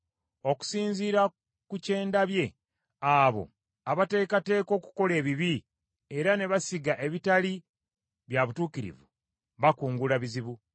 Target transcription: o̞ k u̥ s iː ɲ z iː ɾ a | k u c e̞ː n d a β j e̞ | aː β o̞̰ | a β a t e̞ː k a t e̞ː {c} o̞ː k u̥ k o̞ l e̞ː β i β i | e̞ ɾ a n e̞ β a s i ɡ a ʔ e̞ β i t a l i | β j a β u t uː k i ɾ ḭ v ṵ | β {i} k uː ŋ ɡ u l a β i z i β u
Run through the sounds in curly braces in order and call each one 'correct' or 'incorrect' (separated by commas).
incorrect, incorrect